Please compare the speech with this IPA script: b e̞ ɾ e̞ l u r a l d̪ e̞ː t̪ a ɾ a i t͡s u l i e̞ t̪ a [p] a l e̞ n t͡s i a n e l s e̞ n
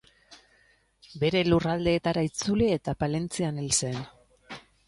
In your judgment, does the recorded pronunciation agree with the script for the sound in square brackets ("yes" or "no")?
yes